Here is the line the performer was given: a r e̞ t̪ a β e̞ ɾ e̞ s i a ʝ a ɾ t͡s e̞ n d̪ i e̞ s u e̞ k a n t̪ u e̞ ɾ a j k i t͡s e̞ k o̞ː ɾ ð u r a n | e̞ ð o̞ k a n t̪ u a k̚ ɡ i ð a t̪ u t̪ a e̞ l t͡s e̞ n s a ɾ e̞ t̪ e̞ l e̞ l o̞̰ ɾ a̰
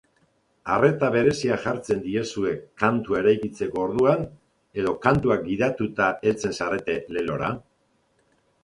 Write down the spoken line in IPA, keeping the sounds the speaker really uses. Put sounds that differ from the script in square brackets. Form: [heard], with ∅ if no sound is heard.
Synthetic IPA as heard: a r e̞ t̪ a β e̞ ɾ e̞ s i a ʝ a ɾ t͡s e̞ n d̪ i e̞ s u e̞ k a n t̪ u e̞ ɾ a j k i t͡s e̞ k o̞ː ɾ ð u [∅] a n | e̞ ð o̞ k a n t̪ u a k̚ ɡ i ð a t̪ u t̪ a e̞ l t͡s e̞ n s a ɾ e̞ t̪ e̞ l e̞ l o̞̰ ɾ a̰